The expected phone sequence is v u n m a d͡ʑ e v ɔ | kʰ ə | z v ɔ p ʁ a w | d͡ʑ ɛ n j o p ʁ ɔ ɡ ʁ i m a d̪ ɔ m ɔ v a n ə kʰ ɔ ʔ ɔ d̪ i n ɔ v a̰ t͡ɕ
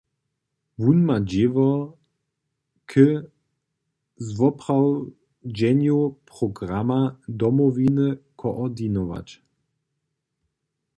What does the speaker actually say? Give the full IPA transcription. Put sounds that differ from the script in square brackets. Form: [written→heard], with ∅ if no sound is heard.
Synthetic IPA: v u n m a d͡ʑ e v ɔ | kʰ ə | z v ɔ p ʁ a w | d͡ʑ ɛ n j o p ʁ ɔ ɡ ʁ [i→a] m a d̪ ɔ m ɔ v [a→i] n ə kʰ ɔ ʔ ɔ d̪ i n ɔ v a̰ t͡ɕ